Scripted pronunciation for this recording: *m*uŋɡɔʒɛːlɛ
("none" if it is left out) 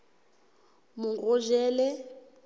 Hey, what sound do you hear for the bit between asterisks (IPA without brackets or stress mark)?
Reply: m